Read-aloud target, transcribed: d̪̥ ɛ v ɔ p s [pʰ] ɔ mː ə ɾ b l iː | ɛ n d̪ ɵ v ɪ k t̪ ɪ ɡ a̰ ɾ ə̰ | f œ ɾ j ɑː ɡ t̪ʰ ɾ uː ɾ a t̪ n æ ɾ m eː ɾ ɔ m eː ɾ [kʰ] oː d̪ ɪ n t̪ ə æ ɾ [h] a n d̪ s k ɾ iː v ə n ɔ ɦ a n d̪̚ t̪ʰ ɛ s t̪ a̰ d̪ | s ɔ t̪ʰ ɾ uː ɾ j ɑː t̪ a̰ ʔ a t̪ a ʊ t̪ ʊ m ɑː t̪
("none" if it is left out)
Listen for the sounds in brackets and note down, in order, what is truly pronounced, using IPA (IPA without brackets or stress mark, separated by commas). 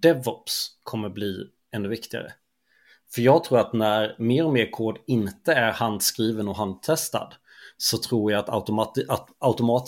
kʰ, kʰ, h